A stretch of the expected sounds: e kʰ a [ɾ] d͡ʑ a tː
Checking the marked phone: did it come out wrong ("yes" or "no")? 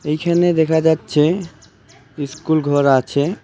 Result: yes